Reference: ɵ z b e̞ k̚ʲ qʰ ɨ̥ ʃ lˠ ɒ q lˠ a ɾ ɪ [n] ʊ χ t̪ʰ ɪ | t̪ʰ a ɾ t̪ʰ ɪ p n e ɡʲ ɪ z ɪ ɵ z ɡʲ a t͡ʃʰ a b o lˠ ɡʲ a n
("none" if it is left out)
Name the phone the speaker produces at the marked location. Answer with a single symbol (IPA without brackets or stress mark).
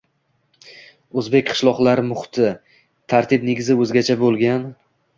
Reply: m